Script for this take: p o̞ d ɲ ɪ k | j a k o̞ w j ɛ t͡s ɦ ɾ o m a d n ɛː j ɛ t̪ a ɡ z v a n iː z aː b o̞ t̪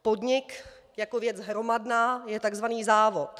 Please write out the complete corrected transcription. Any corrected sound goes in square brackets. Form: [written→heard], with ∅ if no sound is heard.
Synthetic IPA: p o̞ d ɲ ɪ k | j a k o̞ [w→v] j ɛ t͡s ɦ ɾ o m a d n [ɛː→aː] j ɛ t̪ a ɡ z v a n iː z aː [b→v] o̞ t̪